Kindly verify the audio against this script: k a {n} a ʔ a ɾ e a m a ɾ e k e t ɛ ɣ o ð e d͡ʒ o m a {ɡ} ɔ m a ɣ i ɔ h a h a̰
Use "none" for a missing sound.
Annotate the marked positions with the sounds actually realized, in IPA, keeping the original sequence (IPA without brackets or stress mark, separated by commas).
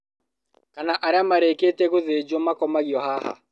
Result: n, k